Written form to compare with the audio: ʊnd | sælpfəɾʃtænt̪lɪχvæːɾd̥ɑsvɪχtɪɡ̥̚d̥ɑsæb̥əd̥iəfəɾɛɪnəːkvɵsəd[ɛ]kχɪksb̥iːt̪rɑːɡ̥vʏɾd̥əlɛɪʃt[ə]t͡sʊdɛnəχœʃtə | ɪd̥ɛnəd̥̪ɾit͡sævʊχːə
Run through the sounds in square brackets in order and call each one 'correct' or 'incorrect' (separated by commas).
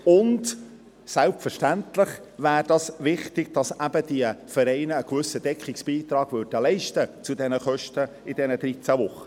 correct, correct